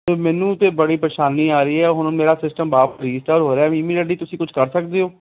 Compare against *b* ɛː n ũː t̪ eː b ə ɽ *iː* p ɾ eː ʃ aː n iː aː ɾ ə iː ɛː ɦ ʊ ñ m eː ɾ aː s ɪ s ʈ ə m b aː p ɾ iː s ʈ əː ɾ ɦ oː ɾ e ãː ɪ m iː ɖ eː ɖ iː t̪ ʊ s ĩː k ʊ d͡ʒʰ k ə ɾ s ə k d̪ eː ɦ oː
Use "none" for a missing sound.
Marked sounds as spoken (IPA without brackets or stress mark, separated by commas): m, iː